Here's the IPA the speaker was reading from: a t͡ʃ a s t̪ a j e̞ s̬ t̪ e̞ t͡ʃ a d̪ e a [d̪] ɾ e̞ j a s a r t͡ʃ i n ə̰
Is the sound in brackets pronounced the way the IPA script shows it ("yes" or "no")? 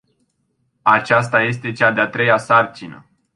no